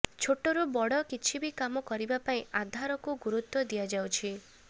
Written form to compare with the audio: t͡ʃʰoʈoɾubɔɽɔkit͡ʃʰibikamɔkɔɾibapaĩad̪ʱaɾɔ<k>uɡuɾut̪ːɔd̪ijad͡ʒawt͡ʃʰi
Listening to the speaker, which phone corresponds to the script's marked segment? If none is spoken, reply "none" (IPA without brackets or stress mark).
k